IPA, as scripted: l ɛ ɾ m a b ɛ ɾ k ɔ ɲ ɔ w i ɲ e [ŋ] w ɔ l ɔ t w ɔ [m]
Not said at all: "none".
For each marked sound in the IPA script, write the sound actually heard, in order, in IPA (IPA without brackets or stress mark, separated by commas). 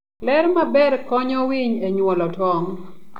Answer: ɲ, ŋ